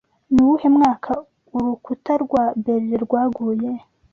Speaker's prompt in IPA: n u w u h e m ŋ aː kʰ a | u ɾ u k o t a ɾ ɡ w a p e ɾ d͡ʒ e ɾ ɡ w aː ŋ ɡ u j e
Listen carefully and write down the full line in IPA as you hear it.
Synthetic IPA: n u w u h e m ŋ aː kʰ a | u ɾ u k u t a ɾ ɡ w a b e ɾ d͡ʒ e ɾ ɡ w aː ɡ u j e